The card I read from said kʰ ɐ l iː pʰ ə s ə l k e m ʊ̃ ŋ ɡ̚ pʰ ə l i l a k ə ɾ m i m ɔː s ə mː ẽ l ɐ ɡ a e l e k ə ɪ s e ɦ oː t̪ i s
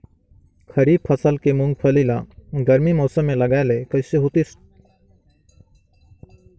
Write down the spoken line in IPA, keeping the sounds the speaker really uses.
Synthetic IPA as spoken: kʰ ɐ ɾ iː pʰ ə s ə l k e m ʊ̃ ŋ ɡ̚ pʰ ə l i l a ɡ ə ɾ m i m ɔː s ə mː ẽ l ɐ ɡ a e l e k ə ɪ s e ɦ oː t̪ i s